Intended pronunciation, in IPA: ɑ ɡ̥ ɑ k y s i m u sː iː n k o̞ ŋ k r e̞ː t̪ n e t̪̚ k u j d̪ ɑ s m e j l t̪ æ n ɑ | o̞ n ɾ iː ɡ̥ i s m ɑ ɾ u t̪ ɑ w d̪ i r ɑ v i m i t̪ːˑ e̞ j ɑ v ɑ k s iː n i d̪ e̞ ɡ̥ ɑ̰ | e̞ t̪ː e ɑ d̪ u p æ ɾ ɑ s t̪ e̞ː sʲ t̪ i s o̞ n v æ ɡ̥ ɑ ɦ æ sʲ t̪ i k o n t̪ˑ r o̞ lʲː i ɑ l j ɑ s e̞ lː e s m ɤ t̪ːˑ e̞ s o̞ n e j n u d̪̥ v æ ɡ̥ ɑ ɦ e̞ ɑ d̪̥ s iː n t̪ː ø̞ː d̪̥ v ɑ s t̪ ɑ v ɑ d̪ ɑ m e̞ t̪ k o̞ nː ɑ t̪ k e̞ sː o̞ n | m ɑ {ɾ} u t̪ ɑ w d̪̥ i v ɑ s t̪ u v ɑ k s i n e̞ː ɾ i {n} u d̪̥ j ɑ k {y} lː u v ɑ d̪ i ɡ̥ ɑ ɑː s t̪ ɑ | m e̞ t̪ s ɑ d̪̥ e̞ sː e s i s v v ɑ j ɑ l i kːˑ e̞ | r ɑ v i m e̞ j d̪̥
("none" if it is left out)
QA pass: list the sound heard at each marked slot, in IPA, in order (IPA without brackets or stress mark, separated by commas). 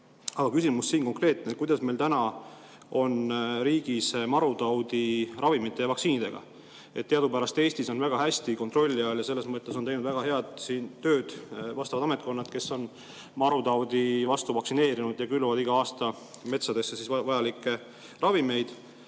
ɾ, n, y